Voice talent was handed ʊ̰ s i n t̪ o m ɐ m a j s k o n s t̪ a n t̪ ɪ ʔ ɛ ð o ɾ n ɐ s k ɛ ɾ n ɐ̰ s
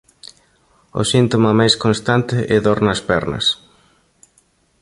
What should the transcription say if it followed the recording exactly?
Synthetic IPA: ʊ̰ s i n t̪ o m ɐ m a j s k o n s t̪ a n t̪ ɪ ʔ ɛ ð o ɾ n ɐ s p ɛ ɾ n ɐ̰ s